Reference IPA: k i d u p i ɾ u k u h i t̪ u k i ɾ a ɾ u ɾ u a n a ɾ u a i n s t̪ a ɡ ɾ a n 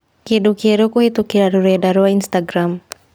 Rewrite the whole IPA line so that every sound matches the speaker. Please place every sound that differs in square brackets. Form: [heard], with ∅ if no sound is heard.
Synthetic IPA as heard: k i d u [k] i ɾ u k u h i t̪ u k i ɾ a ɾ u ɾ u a [d] a ɾ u a i n s t̪ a ɡ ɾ a [m]